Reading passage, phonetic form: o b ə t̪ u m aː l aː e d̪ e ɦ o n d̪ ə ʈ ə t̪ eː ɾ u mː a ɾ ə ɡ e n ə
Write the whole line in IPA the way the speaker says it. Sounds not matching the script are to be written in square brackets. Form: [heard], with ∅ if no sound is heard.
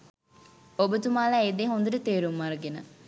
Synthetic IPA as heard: o b ə t̪ u m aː l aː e d̪ e ɦ o n d̪ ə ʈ ə t̪ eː ɾ u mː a ɾ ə ɡ e n ə